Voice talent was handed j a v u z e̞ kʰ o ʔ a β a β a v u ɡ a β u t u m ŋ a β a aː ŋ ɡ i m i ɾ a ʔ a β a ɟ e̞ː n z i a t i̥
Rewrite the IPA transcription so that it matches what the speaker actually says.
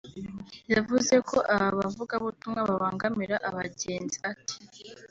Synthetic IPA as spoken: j a v u z e̞ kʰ o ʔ a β a β a v u ɡ a β u t u m ŋ a β a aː ŋ ɡ a m i ɾ a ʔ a β a ɟ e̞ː n z i a t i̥

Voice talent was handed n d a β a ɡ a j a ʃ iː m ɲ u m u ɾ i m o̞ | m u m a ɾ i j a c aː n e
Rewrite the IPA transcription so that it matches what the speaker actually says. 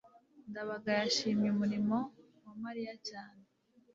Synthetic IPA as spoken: n d a β a ɡ a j a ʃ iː m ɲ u m u ɾ i m o̞ | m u m a ɾ i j a c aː n e

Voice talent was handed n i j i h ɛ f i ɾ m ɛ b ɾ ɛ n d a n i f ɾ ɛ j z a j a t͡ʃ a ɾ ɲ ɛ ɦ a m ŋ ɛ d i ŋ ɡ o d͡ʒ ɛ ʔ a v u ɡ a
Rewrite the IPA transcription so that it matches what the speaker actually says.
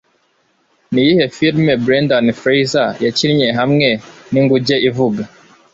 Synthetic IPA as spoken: n i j i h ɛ f i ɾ m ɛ b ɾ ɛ n d a n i f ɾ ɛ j z a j a t͡ʃ i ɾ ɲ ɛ ɦ a m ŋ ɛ n i ŋ ɡ u d͡ʒ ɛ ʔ i v u ɡ a

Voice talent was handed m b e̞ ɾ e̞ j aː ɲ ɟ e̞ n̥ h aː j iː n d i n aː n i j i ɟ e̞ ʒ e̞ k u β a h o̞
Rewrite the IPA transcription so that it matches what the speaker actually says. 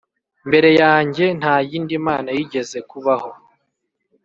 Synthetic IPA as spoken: m b e̞ ɾ e̞ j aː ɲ ɟ e̞ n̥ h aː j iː n d i m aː n a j i ɟ e̞ z e̞ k u β a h o̞

